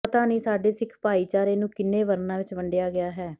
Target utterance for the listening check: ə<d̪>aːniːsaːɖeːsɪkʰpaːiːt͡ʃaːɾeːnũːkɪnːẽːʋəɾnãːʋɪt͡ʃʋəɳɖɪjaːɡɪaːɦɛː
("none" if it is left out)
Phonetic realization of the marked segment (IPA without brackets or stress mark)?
t̪